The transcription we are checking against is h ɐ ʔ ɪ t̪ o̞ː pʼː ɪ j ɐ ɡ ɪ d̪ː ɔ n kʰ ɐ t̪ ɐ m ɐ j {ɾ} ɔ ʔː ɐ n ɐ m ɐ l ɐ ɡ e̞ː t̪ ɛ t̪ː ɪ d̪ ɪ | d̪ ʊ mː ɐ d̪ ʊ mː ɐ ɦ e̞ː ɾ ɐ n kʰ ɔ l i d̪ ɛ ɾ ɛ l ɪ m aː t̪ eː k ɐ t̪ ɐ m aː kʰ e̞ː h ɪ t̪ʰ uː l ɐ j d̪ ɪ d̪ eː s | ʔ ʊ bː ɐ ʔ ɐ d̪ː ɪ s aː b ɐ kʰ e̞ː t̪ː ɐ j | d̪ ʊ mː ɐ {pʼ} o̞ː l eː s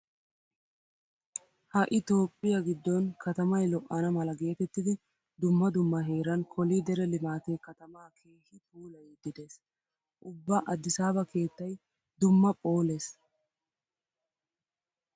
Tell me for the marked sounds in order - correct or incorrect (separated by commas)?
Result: incorrect, correct